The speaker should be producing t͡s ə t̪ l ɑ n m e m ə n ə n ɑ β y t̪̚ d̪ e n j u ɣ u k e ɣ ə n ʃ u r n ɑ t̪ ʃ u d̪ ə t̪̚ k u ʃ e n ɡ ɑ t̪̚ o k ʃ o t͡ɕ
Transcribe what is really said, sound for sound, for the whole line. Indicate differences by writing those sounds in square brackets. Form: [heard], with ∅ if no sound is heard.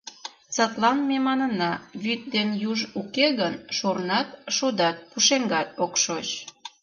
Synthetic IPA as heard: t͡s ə t̪ l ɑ n m e m [ɑ] n ə n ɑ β y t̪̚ d̪ e n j u [ʒ] u k e ɣ ə n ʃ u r n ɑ t̪ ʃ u d̪ [ɑ] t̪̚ [p] u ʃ e [ŋ] ɡ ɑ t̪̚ o k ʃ o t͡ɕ